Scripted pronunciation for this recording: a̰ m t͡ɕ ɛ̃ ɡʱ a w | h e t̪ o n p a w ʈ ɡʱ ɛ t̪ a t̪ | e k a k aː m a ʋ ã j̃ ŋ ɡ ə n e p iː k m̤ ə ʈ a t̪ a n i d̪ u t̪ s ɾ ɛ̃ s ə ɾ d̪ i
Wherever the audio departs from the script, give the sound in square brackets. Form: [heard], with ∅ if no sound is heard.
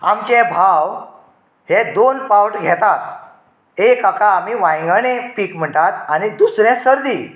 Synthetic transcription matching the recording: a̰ m t͡ɕ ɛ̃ [bʱ] a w | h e [d̪] o n p a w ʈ ɡʱ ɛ t̪ a t̪ | e k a k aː m [i] ʋ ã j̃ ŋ ɡ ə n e p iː k m̤ ə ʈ a t̪ a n i d̪ u [∅] s ɾ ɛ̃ s ə ɾ d̪ i